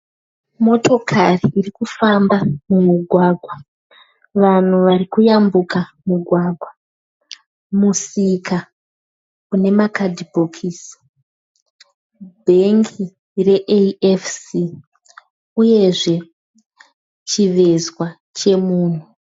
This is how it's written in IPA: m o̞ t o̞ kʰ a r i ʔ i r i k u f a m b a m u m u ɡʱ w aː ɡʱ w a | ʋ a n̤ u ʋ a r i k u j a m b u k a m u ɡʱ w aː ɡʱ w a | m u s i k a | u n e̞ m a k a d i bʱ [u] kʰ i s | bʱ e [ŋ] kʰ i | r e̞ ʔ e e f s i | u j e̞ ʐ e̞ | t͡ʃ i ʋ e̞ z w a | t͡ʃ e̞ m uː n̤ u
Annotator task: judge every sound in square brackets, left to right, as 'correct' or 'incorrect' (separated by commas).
incorrect, correct